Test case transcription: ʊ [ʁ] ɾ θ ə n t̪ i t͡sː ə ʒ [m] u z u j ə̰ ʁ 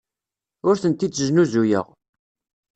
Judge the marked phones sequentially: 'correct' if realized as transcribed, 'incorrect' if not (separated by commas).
incorrect, incorrect